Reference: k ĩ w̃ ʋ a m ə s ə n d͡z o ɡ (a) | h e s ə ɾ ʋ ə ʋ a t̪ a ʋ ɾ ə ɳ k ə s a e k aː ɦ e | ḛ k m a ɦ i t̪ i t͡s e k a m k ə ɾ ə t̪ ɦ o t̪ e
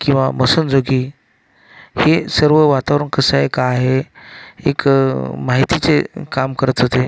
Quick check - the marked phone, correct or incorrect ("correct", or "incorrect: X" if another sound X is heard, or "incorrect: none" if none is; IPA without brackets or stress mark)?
incorrect: i